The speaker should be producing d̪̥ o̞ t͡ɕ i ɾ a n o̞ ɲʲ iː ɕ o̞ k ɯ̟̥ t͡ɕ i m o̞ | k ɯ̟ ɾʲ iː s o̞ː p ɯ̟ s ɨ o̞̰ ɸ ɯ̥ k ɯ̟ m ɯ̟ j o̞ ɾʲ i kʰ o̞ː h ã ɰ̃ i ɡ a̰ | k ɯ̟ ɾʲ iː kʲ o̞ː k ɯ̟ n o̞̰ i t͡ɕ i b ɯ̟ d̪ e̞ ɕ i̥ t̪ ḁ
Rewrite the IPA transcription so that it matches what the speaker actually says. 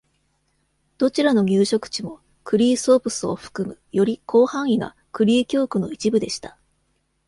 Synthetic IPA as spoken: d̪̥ o̞ t͡ɕ i ɾ a n o̞ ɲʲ ɨː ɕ o̞ k ɯ̟̥ t͡ɕ i m o̞ | k ɯ̟ ɾʲ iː s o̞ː p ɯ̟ s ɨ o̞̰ ɸ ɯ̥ k ɯ̟ m ɯ̟ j o̞ ɾʲ i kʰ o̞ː h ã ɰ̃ i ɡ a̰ | k ɯ̟ ɾʲ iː kʲ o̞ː k ɯ̟ n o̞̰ i t͡ɕ i b ɯ̟ d̪ e̞ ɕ i̥ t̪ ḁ